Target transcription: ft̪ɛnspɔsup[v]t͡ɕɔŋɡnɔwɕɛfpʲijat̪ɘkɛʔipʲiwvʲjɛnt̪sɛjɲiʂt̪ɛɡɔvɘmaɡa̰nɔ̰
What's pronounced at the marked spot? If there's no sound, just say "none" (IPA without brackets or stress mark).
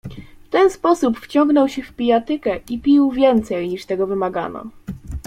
f